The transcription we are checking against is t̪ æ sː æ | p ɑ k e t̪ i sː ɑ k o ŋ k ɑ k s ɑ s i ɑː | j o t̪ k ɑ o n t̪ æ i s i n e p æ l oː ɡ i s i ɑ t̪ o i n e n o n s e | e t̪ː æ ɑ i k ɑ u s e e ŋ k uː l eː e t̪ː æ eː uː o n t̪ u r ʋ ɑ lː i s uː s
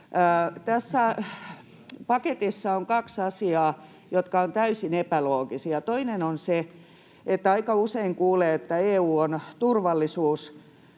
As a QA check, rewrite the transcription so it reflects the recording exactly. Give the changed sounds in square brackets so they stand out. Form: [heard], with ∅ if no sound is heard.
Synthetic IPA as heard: t̪ æ sː æ | p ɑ k e t̪ i sː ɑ [∅] o ŋ k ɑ k s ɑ s i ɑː | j o t̪ k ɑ o n t̪ æ [y] s i n e p æ l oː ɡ i s i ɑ t̪ o i n e n o n s e | e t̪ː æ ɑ i k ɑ u s e [i] ŋ k uː l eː e t̪ː æ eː uː o n t̪ u r ʋ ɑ lː i s uː s